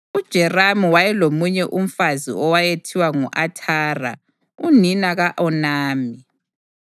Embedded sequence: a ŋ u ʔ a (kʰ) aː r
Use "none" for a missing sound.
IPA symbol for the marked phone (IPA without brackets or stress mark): tʰ